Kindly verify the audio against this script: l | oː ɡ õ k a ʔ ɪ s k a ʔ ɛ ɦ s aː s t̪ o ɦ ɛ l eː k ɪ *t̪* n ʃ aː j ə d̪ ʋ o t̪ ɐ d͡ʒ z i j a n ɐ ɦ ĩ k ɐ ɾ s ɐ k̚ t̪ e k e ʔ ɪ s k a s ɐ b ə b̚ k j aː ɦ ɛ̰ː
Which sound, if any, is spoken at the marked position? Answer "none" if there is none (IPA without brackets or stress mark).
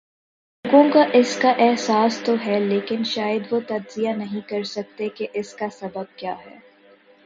none